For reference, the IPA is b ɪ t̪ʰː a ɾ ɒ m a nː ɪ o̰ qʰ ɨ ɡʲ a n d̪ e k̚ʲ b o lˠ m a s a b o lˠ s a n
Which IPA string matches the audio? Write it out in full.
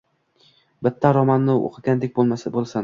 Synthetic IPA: b ɪ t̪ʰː a ɾ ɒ m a nː ɪ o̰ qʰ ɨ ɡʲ a n d̪ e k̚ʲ b o lˠ m a s a b o lˠ s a n